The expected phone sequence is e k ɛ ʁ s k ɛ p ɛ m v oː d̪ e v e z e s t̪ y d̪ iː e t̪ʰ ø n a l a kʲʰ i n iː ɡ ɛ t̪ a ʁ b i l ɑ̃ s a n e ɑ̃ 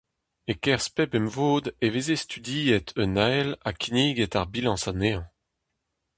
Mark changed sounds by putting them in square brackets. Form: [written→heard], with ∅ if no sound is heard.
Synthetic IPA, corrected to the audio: e k ɛ ʁ s [k→p] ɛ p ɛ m v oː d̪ e v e z e s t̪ y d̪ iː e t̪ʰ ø n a l a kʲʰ i n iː ɡ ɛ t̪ a ʁ b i l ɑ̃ s a n e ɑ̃